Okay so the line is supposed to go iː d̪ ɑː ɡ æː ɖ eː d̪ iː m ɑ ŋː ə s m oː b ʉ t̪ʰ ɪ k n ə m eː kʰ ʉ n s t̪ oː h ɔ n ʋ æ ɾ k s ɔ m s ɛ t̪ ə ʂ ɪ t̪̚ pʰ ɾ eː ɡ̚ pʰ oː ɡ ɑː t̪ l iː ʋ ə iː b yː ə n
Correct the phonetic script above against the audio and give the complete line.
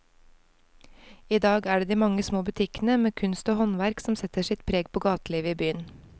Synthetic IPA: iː d̪ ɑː ɡ æː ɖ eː d̪ iː m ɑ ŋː ə s m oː b ʉ t̪ʰ ɪ k n ə m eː kʰ ʉ n s t̪ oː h ɔ n ʋ æ ɾ k s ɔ m s ɛ t̪ ə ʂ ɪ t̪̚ pʰ ɾ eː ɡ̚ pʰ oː ɡ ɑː t̪ l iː ʋ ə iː b yː ə n